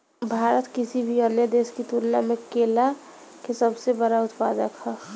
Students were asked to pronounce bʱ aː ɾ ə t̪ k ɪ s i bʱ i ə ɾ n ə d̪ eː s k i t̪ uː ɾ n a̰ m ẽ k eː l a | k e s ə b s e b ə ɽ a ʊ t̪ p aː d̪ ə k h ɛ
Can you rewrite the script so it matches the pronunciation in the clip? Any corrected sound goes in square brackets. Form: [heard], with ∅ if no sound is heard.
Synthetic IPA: bʱ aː ɾ ə t̪ k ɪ s i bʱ i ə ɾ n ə d̪ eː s k i t̪ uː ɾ n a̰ m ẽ k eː l a | k e s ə b s e b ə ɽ a ʊ t̪ p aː d̪ ə k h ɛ